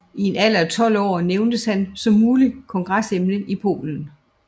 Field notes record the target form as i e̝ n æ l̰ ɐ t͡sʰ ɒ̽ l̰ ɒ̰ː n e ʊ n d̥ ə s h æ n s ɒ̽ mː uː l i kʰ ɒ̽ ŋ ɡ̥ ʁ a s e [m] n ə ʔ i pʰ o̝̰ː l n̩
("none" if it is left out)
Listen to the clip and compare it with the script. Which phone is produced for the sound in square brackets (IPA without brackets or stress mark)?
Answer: m